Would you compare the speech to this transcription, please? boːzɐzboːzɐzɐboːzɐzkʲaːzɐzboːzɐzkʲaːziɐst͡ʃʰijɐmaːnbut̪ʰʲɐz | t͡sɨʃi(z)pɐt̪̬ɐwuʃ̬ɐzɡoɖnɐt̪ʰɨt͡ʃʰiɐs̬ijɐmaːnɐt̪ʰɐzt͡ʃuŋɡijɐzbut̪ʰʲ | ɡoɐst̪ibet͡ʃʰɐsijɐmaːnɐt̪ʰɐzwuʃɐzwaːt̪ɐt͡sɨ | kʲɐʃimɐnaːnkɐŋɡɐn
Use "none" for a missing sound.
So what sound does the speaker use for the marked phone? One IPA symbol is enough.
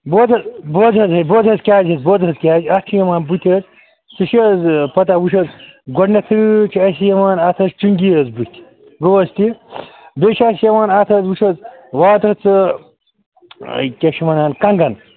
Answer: z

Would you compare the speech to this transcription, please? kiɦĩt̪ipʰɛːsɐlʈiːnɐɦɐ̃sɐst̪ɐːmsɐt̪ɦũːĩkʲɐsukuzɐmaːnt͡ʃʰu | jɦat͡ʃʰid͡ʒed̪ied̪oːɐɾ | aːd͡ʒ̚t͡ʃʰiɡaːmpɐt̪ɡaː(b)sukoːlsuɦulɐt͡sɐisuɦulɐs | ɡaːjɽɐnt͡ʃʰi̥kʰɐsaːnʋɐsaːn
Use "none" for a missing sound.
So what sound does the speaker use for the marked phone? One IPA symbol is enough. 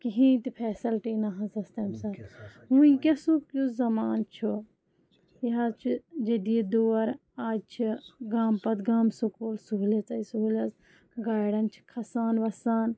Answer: m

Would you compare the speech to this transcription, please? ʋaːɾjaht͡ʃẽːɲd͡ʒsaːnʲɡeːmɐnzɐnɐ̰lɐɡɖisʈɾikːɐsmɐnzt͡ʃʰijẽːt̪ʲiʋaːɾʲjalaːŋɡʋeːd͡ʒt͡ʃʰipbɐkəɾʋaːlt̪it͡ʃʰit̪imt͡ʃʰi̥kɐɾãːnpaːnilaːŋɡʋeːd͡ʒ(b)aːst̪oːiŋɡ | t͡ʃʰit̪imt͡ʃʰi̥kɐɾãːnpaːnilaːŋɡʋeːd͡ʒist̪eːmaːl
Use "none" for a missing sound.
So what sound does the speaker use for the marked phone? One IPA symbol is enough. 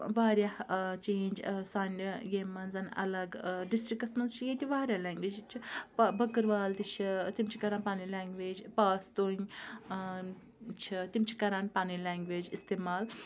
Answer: p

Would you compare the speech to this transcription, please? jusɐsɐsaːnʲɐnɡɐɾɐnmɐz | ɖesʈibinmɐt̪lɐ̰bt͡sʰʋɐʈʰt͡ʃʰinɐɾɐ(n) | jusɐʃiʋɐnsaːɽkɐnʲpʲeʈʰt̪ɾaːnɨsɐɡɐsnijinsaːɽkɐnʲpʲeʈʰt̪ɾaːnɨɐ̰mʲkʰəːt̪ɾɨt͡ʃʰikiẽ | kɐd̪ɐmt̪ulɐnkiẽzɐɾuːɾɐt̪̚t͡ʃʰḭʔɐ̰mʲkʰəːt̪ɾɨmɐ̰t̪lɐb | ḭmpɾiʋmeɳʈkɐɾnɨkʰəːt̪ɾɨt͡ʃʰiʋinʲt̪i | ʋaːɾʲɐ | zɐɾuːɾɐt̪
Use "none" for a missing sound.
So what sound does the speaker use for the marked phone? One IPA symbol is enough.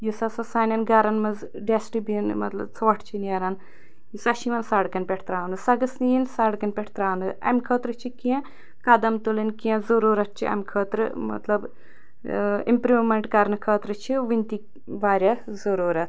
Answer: n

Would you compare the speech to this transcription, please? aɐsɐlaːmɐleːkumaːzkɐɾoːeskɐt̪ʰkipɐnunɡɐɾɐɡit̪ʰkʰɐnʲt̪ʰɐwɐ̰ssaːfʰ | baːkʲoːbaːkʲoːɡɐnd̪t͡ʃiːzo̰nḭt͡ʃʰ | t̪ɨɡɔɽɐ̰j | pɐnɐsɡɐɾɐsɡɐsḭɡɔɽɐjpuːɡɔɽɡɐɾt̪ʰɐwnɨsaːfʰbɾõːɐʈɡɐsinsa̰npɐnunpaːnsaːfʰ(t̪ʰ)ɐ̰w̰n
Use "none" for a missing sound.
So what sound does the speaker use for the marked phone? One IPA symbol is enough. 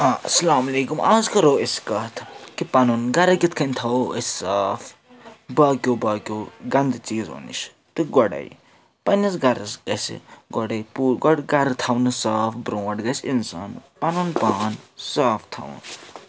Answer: t̪ʰ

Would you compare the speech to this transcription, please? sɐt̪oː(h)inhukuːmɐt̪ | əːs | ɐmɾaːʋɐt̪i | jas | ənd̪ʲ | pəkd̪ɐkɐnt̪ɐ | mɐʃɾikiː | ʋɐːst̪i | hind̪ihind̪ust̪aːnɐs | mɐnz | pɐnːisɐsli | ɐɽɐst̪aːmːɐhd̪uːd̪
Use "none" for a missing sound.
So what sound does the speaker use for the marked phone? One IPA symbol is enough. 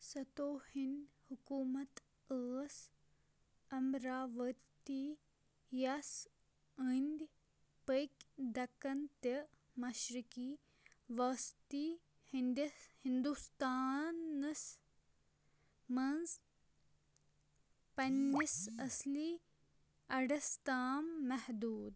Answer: h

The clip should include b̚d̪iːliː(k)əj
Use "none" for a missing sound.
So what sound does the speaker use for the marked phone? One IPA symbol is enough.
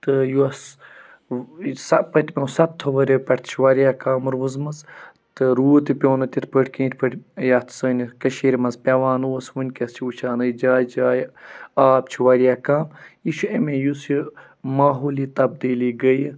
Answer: ɡ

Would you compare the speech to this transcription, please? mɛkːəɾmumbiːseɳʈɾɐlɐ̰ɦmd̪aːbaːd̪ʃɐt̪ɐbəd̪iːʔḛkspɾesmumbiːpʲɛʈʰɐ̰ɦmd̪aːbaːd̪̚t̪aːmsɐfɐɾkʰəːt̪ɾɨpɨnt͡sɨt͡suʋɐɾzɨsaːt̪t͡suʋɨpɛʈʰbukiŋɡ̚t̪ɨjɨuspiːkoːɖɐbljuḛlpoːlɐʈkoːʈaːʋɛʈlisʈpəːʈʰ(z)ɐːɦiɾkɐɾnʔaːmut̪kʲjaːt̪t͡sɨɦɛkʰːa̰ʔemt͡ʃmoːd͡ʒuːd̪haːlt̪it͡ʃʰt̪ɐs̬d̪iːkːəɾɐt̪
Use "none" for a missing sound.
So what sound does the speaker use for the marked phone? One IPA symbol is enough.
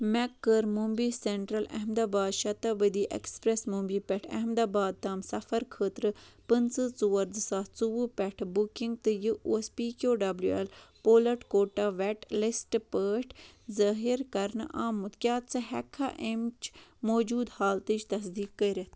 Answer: z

